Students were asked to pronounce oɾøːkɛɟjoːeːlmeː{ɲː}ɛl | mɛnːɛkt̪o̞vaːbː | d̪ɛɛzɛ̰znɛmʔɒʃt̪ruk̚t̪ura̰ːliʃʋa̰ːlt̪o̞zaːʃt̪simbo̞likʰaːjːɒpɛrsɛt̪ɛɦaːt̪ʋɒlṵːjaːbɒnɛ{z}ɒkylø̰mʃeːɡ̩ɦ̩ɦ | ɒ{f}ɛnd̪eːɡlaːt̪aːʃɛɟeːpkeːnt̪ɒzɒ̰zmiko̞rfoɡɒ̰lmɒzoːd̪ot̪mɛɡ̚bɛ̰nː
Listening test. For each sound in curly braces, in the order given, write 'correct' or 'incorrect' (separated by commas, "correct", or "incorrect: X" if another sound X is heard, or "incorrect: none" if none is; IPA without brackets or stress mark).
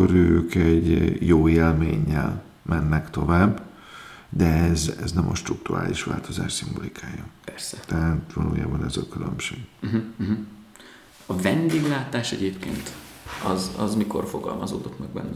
correct, correct, incorrect: v